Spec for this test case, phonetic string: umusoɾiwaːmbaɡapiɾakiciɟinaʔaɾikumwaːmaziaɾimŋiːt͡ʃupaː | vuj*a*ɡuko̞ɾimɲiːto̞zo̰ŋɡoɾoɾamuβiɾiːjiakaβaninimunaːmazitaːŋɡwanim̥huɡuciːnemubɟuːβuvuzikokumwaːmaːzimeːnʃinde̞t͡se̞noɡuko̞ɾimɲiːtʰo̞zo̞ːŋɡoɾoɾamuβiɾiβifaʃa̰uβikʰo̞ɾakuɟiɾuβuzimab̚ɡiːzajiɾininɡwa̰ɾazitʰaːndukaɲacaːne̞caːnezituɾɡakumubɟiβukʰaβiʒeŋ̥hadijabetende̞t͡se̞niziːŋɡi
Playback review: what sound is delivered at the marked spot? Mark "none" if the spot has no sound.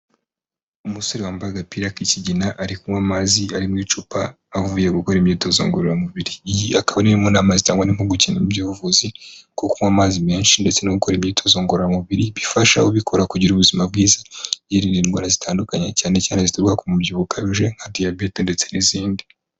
e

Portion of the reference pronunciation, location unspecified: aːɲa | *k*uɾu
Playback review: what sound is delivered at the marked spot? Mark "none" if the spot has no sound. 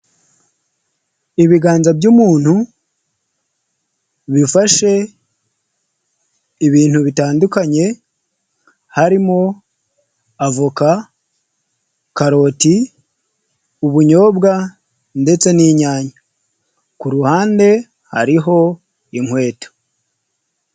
k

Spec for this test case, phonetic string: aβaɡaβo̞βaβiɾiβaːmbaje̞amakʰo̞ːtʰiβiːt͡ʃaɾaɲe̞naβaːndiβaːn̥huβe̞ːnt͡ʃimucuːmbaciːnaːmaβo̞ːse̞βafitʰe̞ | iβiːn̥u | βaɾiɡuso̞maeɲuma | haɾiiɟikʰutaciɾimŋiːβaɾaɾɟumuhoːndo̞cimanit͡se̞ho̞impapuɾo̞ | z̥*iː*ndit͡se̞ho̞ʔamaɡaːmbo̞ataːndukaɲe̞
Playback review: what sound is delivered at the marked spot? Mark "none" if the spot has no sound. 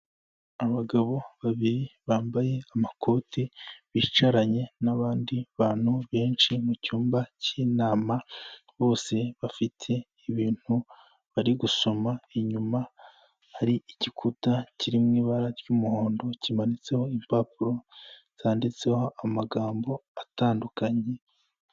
aː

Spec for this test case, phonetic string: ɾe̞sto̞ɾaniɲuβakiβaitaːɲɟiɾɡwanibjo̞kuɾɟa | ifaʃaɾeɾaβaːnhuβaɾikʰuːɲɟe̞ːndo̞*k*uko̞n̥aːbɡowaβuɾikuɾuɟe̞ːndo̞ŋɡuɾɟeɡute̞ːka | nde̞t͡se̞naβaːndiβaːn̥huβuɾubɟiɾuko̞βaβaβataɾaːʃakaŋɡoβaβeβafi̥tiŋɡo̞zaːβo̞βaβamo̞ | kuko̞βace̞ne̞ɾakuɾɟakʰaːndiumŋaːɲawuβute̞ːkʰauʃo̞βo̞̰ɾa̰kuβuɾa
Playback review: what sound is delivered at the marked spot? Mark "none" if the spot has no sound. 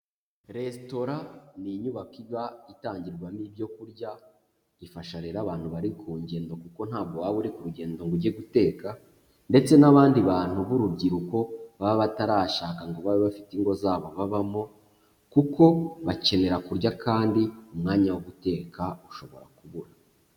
k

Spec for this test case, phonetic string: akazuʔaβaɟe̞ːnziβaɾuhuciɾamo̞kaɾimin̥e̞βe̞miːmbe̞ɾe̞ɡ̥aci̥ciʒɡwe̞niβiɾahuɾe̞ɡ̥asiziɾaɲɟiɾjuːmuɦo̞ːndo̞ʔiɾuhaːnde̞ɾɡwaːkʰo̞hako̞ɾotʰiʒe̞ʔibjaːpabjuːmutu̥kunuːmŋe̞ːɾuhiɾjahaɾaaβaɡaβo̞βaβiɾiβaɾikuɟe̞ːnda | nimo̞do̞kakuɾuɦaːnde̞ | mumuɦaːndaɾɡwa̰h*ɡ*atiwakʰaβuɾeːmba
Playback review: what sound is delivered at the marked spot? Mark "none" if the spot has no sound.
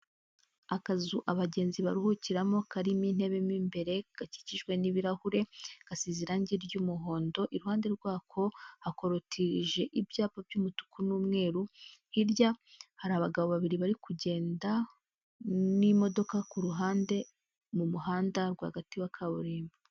ɡ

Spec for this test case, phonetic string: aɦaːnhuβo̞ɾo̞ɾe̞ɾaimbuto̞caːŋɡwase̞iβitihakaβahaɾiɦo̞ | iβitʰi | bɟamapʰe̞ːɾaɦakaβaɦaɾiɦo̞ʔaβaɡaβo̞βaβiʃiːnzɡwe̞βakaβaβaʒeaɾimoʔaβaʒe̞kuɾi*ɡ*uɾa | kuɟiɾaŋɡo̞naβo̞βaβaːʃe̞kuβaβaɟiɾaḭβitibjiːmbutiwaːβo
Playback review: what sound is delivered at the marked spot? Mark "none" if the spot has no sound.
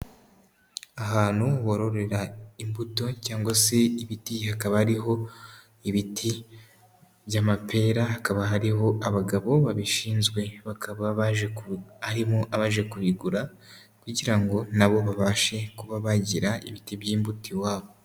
ɡ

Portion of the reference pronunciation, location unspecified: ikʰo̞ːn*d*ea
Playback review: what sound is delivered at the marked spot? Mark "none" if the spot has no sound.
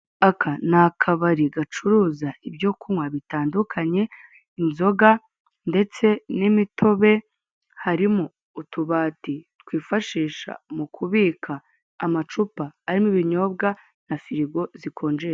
d͡ʒ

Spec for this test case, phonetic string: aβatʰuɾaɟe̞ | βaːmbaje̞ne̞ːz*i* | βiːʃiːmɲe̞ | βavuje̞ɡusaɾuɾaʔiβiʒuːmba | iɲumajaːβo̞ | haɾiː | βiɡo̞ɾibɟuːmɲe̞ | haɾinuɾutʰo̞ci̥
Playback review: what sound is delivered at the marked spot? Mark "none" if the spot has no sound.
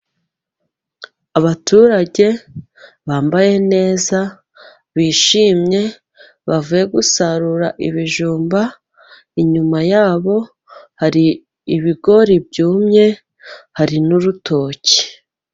a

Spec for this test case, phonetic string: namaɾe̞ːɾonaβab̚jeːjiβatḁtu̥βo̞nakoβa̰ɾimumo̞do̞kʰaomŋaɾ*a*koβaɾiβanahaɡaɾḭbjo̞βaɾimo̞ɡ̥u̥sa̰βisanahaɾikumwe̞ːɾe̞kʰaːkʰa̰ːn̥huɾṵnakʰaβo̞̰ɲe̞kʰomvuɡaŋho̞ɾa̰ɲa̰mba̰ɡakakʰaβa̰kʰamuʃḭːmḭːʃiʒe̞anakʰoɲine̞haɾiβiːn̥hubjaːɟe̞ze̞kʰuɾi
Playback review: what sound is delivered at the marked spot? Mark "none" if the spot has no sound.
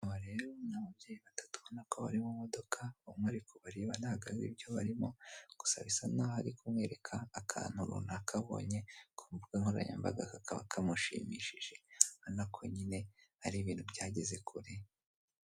i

